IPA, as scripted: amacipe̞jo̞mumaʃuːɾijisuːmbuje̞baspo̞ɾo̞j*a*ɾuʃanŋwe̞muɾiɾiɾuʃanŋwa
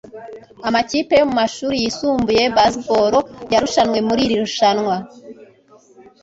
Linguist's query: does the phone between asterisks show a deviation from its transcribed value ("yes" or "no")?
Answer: no